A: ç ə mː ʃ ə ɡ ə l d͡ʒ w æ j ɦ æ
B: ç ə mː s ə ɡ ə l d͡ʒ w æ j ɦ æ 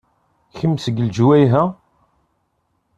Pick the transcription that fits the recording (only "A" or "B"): B